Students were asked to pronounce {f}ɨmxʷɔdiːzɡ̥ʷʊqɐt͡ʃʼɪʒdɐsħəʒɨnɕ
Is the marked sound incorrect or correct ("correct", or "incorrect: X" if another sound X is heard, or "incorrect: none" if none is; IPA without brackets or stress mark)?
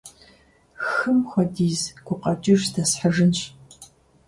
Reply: incorrect: x